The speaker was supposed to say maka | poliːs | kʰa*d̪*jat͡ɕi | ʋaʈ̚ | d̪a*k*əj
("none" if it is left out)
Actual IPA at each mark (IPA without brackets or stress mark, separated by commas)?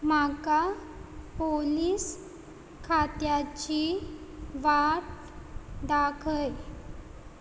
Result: t̪, kʰ